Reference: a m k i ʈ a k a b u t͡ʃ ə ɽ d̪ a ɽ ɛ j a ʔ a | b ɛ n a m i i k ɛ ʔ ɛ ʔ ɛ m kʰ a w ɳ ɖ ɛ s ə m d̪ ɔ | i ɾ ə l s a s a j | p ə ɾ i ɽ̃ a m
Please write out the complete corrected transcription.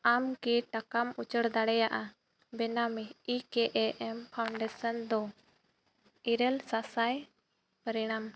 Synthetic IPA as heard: a m k i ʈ a k a m u t͡ʃ ə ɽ d̪ a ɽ ɛ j a ʔ a | b ɛ n a m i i k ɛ ʔ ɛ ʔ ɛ m pʰ a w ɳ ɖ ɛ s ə n d̪ ɔ | i ɾ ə l s a s a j | p ə ɾ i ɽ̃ a m